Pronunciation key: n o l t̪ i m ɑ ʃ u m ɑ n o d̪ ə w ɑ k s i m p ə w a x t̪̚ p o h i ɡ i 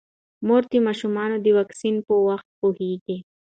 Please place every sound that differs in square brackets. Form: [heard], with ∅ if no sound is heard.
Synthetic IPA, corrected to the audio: [m] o [ɾ] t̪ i m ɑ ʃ u m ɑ n o d̪ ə w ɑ k s i [n] p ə w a x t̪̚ p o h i ɡ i